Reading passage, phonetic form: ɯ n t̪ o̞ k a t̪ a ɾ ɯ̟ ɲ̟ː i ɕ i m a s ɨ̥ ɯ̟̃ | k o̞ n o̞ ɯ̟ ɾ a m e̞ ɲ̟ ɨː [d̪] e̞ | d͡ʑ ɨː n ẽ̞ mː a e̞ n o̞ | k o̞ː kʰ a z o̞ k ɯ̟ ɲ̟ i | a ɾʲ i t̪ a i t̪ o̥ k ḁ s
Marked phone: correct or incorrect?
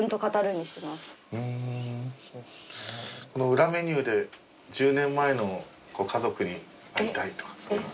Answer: correct